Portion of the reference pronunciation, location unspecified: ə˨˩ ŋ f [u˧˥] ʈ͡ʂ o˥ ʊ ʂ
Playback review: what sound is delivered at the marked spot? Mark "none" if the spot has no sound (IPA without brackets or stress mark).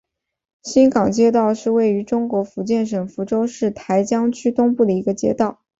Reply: u˧˥